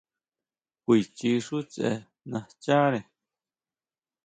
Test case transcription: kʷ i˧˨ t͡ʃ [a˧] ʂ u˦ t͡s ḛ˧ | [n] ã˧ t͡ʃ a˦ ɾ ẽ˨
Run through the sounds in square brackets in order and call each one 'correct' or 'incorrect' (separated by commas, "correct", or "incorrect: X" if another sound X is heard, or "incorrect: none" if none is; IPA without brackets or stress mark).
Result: incorrect: i˧, correct